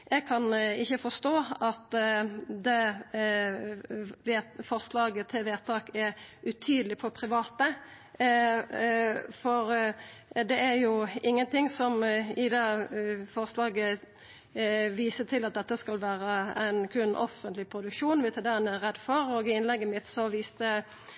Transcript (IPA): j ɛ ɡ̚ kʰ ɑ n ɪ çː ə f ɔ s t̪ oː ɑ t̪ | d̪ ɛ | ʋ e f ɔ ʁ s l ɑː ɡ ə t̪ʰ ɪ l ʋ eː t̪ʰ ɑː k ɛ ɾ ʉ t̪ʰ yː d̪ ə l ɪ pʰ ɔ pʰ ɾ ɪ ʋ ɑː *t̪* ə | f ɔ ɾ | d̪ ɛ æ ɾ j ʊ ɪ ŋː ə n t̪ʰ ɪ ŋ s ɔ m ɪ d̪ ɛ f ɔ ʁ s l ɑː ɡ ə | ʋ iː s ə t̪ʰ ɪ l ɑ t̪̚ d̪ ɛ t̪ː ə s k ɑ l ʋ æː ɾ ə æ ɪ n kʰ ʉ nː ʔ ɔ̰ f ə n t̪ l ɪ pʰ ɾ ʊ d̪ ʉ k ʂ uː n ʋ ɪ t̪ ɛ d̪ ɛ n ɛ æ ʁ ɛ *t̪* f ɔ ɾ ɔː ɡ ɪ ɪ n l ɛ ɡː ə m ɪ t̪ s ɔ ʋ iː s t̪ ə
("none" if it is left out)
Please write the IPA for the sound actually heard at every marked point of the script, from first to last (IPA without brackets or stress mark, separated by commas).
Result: t̪, d̪